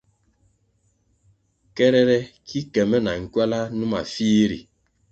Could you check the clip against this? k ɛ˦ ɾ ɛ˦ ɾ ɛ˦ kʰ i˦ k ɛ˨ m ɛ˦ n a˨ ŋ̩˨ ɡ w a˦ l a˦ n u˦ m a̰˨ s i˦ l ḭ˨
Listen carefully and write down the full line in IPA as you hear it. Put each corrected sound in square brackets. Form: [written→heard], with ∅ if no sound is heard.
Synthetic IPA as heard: k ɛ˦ ɾ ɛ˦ ɾ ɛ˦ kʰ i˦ k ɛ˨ m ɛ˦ n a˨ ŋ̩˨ [ɡ→k] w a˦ l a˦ n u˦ m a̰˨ [s→f] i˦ [l→ɾ] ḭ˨